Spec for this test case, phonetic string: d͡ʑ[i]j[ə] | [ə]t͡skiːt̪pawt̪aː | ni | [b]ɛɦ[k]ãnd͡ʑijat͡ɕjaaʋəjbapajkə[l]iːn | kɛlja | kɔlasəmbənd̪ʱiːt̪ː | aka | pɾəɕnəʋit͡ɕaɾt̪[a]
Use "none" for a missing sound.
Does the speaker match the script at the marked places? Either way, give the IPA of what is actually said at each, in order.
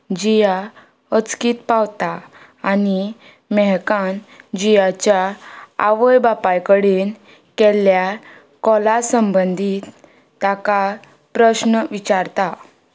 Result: i, a, ə, m, k, ɽ, a

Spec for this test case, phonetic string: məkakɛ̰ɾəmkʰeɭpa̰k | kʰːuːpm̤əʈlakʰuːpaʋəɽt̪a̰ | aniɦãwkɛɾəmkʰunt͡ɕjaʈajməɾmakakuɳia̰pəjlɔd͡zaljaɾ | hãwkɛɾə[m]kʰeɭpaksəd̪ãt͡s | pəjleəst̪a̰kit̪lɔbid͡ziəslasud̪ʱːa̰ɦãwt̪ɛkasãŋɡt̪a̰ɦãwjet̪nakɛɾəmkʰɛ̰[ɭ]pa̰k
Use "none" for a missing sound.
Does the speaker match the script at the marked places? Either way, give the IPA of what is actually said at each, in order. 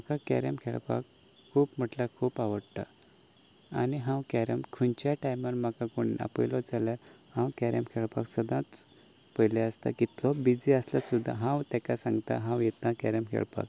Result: m, ɭ

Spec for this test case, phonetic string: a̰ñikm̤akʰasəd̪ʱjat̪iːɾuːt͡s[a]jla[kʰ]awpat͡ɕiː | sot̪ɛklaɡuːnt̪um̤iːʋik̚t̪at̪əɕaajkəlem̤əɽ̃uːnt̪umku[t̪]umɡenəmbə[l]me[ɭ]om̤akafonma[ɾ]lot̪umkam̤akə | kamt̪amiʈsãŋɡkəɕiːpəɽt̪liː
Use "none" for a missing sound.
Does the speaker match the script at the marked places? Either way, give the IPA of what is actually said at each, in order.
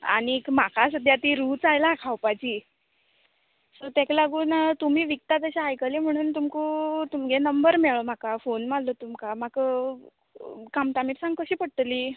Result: a, kʰ, t̪, ɾ, ɭ, l

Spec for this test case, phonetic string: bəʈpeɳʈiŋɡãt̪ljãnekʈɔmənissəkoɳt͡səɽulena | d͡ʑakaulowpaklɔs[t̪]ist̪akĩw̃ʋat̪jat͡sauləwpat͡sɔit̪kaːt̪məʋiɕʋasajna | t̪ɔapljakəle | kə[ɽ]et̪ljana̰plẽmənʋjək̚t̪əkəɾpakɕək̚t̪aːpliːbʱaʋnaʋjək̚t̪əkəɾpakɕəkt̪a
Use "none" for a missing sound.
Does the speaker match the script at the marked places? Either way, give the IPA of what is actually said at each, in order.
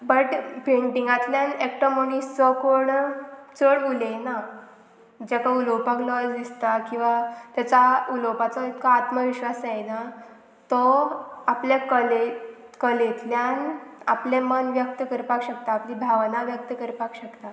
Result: d̪, l

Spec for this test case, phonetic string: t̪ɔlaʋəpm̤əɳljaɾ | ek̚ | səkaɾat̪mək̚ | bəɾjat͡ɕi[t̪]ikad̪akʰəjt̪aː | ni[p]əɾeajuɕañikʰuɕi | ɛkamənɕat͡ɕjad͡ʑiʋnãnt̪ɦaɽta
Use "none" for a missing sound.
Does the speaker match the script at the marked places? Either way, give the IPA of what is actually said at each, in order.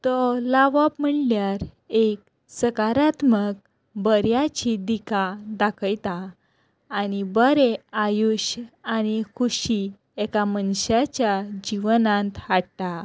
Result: d̪, b

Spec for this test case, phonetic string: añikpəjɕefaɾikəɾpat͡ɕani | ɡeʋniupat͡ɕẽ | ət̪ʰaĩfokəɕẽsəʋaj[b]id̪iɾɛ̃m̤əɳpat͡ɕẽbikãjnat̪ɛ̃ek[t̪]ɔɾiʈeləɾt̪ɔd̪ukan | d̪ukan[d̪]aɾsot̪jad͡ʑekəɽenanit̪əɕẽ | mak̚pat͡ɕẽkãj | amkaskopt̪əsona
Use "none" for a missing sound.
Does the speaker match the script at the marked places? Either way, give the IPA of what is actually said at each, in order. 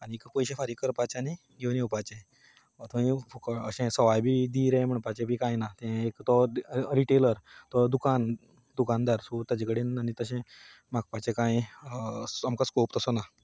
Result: b, t̪, d̪

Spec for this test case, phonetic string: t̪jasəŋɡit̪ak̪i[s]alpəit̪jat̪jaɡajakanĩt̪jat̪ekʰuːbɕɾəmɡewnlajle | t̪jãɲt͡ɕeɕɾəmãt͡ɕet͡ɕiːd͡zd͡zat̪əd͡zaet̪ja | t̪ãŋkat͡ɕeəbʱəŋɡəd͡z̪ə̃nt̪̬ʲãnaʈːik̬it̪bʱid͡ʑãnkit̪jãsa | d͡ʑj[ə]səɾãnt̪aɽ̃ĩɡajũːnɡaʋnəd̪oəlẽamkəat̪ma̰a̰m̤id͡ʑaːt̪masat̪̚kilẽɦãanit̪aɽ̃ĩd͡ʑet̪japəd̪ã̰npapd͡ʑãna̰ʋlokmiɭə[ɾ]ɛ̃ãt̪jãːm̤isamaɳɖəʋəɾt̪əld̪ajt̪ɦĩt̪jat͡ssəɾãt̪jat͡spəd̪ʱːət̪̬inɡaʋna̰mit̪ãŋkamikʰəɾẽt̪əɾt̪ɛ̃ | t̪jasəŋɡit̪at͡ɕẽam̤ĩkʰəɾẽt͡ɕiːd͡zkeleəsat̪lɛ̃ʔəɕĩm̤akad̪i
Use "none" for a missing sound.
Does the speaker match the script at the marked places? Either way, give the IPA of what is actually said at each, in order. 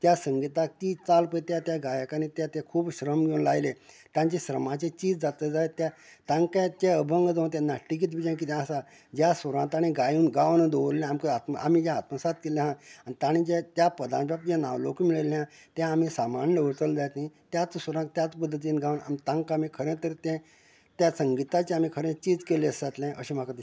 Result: t͡s, a, l

